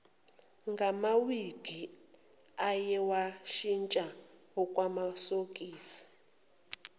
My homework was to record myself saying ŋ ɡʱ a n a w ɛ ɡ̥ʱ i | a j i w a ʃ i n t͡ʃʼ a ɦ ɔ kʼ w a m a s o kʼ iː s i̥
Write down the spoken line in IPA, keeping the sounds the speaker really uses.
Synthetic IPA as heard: ŋ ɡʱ a m a w i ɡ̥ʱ i | a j ɛ w a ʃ i n t͡ʃʼ a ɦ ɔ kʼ w a m a s o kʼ iː s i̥